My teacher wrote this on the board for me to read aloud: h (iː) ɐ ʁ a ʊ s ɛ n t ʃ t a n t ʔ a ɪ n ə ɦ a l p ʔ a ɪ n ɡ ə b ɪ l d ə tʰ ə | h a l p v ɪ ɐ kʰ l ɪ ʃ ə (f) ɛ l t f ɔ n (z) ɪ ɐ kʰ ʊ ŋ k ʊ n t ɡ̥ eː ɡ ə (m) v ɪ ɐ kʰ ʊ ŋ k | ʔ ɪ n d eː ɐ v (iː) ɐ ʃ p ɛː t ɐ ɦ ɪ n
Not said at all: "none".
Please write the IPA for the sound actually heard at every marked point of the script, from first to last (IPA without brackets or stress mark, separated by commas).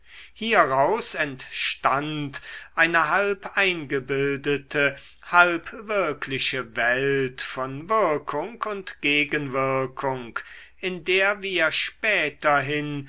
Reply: iː, v, v, n, iː